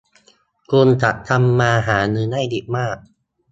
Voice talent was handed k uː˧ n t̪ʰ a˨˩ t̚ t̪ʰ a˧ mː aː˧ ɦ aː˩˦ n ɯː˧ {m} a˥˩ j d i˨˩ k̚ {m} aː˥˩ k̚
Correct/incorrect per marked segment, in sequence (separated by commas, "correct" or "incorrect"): incorrect, correct